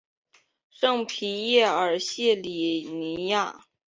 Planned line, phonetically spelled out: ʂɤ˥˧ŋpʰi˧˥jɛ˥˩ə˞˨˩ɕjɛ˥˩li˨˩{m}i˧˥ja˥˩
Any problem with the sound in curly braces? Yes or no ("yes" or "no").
yes